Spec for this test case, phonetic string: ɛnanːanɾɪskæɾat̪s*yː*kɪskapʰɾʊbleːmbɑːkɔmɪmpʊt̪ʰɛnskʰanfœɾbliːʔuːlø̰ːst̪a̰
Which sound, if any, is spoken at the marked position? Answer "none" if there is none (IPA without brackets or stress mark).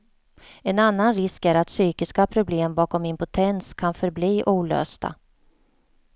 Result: yː